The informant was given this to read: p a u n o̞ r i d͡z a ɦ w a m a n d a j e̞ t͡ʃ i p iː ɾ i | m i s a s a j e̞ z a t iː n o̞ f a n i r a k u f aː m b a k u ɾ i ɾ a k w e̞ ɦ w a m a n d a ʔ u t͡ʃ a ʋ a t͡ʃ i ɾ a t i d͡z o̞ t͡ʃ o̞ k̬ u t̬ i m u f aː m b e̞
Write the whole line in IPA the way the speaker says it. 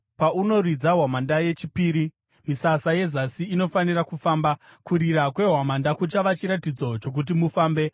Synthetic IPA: p a u n o̞ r i d͡z a ɦ w a m a n d a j e̞ t͡ʃ i p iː ɾ i | m i s a s a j e̞ z a s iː n o̞ f a n i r a k u f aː m b a k u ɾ i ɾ a k w e̞ ɦ w a m a n d a k u t͡ʃ a ʋ a t͡ʃ i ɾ a t i d͡z o̞ t͡ʃ o̞ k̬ u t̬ i m u f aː m b e̞